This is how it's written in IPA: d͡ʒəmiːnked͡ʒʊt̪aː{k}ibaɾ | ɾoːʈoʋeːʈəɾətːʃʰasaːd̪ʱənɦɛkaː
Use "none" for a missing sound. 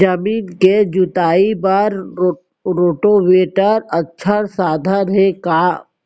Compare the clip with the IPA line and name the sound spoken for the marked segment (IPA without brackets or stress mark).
none